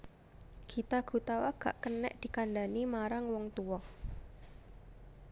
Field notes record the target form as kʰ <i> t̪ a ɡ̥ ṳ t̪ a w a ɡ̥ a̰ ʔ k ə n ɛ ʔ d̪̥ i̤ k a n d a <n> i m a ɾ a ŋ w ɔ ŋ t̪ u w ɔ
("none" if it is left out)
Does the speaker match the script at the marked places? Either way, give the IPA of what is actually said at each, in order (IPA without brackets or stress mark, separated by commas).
i, n